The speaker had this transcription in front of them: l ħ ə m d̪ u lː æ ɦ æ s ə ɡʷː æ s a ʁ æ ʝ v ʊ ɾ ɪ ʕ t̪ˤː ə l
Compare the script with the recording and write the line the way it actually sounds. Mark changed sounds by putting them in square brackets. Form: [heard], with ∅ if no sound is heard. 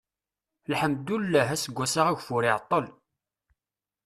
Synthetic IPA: l ħ ə m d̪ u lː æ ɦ æ s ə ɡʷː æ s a ʁ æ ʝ [f] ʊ ɾ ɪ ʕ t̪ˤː ə l